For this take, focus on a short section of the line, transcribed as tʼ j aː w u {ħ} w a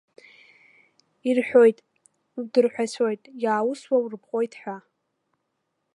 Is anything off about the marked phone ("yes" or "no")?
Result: yes